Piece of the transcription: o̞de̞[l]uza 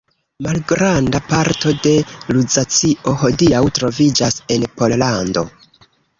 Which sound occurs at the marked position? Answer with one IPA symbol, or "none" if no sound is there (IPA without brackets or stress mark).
l